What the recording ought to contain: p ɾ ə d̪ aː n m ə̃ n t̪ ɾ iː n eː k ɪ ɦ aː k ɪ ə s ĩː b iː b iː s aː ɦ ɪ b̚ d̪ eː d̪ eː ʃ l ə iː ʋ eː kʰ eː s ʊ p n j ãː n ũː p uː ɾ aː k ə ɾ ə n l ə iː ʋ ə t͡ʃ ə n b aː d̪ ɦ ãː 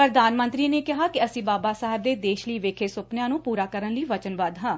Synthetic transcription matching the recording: p ɾ ə d̪ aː n m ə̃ n t̪ ɾ iː n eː k ɪ ɦ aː k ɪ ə s ĩː b aː b aː s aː ɦ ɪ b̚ d̪ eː d̪ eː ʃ l ə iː ʋ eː kʰ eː s ʊ p n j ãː n ũː p uː ɾ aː k ə ɾ ə n l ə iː ʋ ə t͡ʃ ə n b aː d̪ ɦ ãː